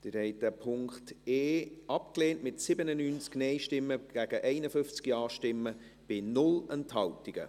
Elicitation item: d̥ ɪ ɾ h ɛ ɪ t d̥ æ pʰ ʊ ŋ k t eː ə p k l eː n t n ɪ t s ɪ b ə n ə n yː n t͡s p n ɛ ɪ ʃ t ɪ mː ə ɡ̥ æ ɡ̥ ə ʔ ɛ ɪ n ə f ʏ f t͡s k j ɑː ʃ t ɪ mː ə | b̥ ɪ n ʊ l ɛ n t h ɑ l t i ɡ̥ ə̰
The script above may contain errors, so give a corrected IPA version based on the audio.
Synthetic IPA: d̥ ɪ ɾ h ɛ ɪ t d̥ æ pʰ ʊ ŋ k t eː ɑ p k l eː n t m ɪ t s ɪ b ə n ə n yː n t͡s k n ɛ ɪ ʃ t ɪ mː ə ɡ̥ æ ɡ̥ ə ʔ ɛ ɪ n ə f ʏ f t͡s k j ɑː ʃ t ɪ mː ə | b̥ ɪ n ʊ l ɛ n t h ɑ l t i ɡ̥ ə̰